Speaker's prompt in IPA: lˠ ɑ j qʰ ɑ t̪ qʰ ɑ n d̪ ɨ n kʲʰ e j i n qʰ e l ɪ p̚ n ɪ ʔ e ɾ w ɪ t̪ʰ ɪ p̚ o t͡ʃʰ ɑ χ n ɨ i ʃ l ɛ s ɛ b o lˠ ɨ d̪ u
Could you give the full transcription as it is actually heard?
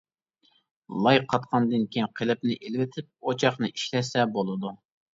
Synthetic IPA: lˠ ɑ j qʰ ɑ t̪ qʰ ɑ n d̪ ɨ n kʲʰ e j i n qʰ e l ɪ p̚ n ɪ ʔ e l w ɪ t̪ʰ ɪ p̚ o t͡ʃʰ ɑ χ n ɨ i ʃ l ɛ s ɛ b o lˠ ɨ d̪ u